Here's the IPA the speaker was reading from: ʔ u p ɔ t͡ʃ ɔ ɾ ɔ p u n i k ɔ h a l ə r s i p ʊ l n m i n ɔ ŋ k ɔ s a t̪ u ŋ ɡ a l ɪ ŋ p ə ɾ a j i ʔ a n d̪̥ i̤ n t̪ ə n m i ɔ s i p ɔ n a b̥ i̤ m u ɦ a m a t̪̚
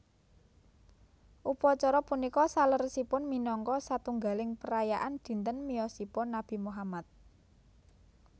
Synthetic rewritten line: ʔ u p ɔ t͡ʃ ɔ ɾ ɔ p u n i k ɔ s a l ə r s i p ʊ n m i n ɔ ŋ k ɔ s a t̪ u ŋ ɡ a l ɪ ŋ p ə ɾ a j a ʔ a n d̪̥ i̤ n t̪ ə n m i ɔ s i p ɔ n a b̥ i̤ m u ɦ a m a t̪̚